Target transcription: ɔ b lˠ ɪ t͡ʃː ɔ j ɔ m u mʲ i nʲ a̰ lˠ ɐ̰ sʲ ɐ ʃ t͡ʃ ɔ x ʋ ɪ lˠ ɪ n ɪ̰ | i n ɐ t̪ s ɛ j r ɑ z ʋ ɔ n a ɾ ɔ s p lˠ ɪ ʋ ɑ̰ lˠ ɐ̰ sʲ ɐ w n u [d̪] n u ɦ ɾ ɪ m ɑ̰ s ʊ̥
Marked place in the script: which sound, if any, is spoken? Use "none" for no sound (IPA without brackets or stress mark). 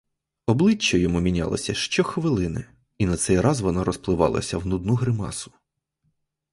d̪